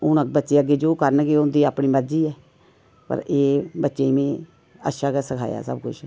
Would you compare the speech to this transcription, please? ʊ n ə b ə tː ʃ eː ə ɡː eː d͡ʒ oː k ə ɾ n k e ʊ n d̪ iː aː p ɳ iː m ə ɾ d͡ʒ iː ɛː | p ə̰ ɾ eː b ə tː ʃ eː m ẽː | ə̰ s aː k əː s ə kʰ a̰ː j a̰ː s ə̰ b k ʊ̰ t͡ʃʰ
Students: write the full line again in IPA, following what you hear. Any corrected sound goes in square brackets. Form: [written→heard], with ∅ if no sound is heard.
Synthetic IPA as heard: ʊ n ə b ə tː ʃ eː ə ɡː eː d͡ʒ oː k ə ɾ n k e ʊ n d̪ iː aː p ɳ iː m ə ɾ d͡ʒ iː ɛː | p ə̰ ɾ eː b ə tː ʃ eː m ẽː | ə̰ [s→ʃ] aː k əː s ə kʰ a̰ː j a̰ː s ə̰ b k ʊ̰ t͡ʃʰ

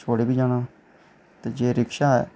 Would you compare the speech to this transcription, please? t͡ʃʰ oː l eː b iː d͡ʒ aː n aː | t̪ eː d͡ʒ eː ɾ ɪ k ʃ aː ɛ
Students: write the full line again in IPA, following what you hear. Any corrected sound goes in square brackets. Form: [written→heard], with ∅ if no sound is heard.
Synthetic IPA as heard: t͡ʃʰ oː [l→ɽ] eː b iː d͡ʒ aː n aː | t̪ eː d͡ʒ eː ɾ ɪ k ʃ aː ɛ

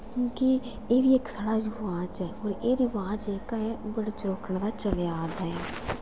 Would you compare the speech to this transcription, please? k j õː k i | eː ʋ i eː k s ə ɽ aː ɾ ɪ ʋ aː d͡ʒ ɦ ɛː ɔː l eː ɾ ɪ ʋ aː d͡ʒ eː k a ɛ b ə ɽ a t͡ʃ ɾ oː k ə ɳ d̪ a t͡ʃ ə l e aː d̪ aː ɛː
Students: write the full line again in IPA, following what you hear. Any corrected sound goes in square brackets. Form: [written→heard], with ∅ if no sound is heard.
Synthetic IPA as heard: k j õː k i | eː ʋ i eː k s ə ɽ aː ɾ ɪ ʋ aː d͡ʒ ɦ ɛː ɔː [l→ɾ] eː ɾ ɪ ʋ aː d͡ʒ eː k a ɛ b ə ɽ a t͡ʃ ɾ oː k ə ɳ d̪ a t͡ʃ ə l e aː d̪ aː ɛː

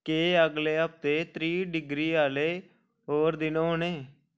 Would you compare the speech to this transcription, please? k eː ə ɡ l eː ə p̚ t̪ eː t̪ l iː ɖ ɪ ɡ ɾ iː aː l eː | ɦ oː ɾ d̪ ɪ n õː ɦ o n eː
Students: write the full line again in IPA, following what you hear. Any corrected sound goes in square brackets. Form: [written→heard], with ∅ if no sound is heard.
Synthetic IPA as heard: k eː ə ɡ l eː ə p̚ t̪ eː t̪ [l→ɾ] iː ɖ ɪ ɡ ɾ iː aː l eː | ɦ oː ɾ d̪ ɪ n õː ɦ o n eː

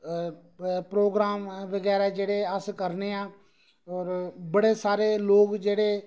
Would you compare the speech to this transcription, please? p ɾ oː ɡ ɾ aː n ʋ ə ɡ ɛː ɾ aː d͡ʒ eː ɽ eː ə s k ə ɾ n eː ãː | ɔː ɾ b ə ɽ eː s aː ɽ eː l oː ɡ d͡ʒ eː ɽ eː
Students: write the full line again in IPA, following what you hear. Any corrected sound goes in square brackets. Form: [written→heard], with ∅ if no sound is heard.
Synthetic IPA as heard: p ɾ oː ɡ ɾ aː [n→m] ʋ ə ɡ ɛː ɾ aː d͡ʒ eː ɽ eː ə s k ə ɾ n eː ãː | ɔː ɾ b ə ɽ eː s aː [ɽ→ɾ] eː l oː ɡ d͡ʒ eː ɽ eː

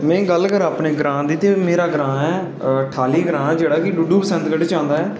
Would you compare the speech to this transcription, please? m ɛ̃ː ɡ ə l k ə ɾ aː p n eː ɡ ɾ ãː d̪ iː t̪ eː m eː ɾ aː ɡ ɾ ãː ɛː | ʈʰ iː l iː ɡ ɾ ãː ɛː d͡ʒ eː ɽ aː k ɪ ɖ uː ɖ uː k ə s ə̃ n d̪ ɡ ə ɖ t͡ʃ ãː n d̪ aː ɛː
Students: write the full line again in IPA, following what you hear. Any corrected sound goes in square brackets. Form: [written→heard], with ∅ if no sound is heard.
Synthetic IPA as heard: m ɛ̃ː ɡ ə l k ə ɾ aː p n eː ɡ ɾ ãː d̪ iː t̪ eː m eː ɾ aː ɡ ɾ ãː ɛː | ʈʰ [iː→aː] l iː ɡ ɾ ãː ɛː d͡ʒ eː ɽ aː k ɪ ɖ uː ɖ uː [k→p] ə s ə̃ n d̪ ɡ ə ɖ t͡ʃ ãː n d̪ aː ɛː

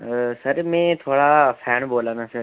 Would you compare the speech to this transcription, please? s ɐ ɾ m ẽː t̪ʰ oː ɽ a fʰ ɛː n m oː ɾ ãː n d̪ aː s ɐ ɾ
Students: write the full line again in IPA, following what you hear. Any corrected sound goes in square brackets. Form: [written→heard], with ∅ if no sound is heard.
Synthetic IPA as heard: s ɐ ɾ m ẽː t̪ʰ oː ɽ a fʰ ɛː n [m→b] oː [ɾ→l] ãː n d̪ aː s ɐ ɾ

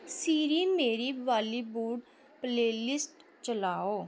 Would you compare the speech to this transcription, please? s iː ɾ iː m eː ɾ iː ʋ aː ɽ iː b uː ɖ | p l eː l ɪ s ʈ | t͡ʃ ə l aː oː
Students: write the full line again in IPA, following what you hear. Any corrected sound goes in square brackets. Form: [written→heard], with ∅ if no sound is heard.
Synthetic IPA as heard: s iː ɾ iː m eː ɾ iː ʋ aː [ɽ→l] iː b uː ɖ | p l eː l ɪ s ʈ | t͡ʃ ə l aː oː

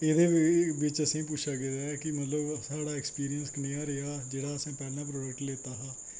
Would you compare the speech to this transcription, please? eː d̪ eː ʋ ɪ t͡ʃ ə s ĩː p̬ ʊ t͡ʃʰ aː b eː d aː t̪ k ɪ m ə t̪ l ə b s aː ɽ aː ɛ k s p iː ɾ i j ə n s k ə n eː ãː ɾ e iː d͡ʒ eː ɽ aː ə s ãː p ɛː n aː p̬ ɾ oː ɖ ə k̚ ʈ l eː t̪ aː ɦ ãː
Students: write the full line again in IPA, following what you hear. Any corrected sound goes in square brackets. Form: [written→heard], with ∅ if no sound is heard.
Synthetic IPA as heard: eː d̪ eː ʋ ɪ t͡ʃ ə s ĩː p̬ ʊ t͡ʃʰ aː [b→ɡ] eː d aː [t̪→∅] k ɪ m ə t̪ l ə b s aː ɽ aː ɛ k s p iː ɾ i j ə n s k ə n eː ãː ɾ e [iː→aː] d͡ʒ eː ɽ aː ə s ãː p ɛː n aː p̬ ɾ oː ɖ ə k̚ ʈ l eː t̪ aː ɦ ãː

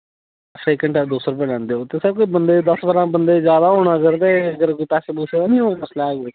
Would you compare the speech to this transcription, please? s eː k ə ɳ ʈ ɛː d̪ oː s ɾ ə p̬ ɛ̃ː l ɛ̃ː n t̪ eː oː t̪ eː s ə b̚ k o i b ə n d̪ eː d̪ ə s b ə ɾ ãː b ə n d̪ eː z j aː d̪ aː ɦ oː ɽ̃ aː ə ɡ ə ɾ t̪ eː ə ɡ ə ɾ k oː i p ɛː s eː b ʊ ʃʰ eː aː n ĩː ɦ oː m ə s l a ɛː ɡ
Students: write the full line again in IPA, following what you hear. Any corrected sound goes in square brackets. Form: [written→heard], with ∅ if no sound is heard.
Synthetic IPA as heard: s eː k ə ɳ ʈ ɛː d̪ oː s ɾ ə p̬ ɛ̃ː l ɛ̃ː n [t̪→d̪] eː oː t̪ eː s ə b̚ k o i b ə n d̪ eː d̪ ə s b ə ɾ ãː b ə n d̪ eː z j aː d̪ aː ɦ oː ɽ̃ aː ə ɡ ə ɾ t̪ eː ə ɡ ə ɾ k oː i p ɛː s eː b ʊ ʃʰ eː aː n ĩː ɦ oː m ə s l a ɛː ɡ

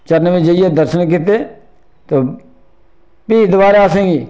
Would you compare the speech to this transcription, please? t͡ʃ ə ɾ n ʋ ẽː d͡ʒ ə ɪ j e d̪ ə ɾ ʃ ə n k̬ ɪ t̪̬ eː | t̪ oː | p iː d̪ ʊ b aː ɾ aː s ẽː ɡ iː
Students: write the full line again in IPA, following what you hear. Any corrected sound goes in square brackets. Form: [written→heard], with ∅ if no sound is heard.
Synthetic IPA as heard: t͡ʃ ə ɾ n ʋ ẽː d͡ʒ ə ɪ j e d̪ ə ɾ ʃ ə n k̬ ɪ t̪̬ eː | t̪ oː | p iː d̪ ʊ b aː ɾ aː s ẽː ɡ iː

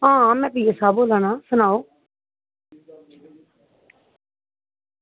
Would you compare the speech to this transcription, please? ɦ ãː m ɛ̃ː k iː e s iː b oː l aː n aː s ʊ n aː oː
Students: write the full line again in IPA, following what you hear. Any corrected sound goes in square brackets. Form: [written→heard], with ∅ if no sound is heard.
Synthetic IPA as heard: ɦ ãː m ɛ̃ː [k→p] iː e s [iː→aː] b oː l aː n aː s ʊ n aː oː

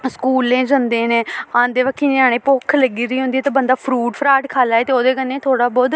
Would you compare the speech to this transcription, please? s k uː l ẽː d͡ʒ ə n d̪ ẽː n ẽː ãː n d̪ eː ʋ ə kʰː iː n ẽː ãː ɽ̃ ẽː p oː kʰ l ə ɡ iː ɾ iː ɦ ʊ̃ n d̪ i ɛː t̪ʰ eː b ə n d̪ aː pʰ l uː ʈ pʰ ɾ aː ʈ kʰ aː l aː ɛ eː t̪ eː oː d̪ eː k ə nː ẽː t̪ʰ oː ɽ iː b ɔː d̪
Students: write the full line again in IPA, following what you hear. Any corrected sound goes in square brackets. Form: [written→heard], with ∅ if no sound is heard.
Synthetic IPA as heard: s k uː l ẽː d͡ʒ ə n d̪ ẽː n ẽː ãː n d̪ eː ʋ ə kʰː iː n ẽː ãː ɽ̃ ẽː p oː kʰ l ə ɡ iː ɾ iː ɦ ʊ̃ n d̪ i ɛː [t̪ʰ→t̪] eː b ə n d̪ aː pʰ [l→ɾ] uː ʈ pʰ ɾ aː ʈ kʰ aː l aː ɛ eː t̪ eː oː d̪ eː k ə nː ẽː t̪ʰ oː ɽ [iː→aː] b ɔː d̪

